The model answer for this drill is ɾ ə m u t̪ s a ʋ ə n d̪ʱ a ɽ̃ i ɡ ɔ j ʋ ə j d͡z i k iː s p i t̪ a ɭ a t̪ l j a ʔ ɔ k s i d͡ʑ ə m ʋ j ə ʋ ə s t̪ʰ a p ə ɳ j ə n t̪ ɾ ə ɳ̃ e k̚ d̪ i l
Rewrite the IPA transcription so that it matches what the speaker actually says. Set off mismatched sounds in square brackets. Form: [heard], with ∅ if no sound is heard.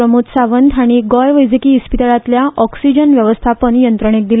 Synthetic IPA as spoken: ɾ ə m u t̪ s a ʋ ə n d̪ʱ a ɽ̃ i ɡ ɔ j ʋ ə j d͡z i k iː s p i t̪ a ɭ a t̪ l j a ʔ ɔ k s i d͡ʑ ə [n] ʋ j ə ʋ ə s t̪ʰ a p ə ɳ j ə n t̪ ɾ ə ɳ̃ e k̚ d̪ i l